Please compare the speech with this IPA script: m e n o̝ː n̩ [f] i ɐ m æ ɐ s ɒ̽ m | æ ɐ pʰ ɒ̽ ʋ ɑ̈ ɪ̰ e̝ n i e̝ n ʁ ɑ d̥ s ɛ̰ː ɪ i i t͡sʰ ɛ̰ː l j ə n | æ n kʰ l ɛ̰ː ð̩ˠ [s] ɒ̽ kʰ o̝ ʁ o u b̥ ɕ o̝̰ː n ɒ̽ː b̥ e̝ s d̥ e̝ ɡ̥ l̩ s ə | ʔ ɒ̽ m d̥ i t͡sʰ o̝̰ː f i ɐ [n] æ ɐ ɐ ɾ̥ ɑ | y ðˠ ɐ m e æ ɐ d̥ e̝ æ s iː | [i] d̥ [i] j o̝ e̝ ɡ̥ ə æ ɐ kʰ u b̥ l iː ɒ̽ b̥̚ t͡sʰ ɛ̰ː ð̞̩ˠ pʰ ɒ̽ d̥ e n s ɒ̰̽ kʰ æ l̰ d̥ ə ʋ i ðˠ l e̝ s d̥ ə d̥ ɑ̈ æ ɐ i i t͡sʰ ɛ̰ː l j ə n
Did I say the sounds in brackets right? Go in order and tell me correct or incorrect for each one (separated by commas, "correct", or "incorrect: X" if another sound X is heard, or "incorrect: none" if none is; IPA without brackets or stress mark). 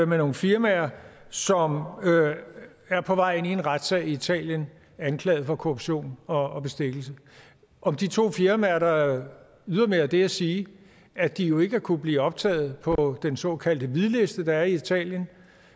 correct, incorrect: f, incorrect: m, incorrect: æ, correct